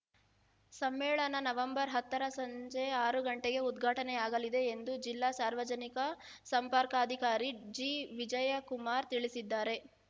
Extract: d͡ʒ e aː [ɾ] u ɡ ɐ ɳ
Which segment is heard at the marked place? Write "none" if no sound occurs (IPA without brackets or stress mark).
ɾ